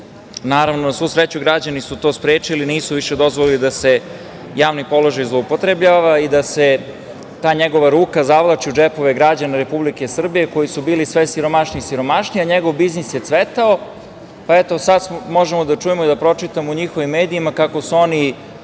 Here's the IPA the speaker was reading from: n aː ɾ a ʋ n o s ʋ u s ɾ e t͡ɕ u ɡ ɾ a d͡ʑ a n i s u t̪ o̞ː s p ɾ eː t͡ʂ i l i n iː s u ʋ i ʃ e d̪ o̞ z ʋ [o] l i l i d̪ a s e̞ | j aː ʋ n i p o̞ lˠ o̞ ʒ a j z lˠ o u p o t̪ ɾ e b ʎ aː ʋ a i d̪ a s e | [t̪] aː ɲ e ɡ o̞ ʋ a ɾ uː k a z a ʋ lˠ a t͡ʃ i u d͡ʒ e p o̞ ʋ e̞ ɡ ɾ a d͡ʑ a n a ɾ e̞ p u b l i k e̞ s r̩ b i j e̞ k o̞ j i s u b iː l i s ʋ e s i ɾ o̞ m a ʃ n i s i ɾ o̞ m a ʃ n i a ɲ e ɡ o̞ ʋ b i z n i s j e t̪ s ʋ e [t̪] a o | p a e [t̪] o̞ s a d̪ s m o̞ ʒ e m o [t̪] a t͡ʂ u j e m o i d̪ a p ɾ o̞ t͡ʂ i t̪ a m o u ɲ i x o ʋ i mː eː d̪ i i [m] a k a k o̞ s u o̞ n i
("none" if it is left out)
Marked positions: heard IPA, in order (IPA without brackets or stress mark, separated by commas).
o, t̪, t̪, t̪, d̪, m